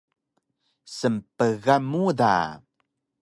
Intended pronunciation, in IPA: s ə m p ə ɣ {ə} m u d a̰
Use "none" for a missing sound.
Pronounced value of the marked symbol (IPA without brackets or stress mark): a